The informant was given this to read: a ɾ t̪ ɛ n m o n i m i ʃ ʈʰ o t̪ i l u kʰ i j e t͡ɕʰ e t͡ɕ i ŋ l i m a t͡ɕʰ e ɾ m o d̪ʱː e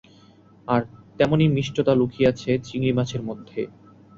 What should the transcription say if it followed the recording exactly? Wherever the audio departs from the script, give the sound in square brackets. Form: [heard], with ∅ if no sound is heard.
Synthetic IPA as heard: a ɾ t̪ ɛ [∅] m o n i m i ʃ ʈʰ o t̪ [a] l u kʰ i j [a] t͡ɕʰ e t͡ɕ i ŋ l i m a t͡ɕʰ e ɾ m o d̪ʱː e